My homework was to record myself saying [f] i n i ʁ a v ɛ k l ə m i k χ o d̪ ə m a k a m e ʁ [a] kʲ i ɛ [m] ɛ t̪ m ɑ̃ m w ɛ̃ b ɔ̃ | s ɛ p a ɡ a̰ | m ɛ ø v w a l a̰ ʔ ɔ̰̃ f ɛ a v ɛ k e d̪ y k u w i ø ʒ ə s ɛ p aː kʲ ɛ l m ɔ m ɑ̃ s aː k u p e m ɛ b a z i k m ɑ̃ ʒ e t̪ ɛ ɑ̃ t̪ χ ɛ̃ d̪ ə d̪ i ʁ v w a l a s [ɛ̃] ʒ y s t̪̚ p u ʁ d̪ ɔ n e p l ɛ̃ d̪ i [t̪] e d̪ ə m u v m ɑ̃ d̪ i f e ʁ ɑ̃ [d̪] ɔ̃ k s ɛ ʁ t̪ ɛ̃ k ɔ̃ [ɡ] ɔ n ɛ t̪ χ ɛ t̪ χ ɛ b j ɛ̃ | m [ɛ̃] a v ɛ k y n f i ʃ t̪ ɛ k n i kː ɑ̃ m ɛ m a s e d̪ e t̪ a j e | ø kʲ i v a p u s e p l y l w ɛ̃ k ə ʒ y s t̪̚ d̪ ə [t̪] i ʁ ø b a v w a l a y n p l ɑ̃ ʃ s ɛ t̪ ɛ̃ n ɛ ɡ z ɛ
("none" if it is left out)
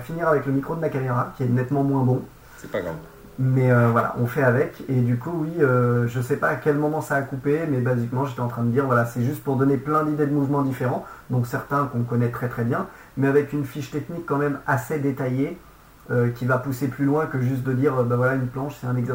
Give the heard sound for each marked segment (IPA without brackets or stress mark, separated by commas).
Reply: f, a, n, ɛ, d̪, d̪, k, ɛ, d̪